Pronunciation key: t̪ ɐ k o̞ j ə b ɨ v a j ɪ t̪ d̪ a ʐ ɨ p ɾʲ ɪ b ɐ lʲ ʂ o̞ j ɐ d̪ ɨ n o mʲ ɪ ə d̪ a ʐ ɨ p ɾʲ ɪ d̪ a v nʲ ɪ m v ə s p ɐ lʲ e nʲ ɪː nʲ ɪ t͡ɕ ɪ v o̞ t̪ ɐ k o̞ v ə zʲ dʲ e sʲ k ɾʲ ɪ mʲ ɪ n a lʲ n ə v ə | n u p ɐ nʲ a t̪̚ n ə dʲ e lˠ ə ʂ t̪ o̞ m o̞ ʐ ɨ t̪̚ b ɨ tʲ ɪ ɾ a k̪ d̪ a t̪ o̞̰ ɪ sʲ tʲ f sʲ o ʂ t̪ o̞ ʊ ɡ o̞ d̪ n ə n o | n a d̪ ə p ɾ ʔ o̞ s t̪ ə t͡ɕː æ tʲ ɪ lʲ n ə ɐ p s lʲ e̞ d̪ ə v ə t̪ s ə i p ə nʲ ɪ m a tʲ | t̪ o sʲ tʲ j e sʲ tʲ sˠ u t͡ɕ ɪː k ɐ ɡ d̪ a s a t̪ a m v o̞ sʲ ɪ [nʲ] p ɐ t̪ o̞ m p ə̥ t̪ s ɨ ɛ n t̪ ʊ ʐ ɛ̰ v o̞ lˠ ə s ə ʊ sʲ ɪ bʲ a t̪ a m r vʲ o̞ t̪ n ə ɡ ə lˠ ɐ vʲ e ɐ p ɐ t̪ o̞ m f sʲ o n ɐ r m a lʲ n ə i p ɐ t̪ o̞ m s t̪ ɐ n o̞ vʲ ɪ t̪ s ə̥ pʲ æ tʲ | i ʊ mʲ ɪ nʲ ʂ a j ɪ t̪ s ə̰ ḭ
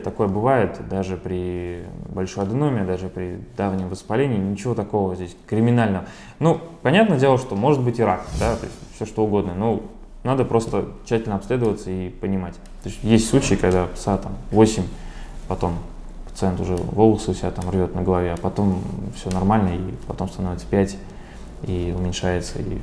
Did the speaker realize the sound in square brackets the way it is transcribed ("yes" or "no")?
no